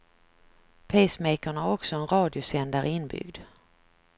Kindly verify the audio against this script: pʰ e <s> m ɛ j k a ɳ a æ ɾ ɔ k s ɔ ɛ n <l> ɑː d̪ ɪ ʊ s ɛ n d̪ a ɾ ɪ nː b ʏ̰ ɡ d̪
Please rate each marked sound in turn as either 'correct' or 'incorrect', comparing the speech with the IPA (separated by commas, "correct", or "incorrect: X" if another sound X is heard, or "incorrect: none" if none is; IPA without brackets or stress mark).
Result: correct, incorrect: ɾ